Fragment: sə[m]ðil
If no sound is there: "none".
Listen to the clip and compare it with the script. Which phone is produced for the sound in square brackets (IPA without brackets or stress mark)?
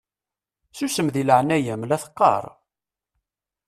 m